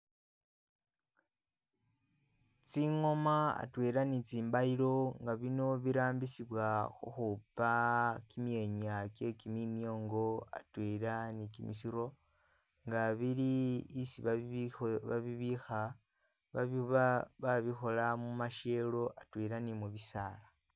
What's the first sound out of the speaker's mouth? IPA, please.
t͡s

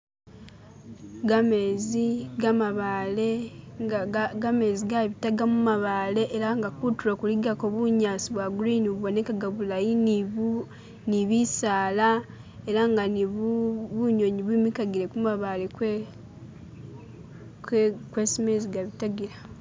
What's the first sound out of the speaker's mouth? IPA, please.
ɡ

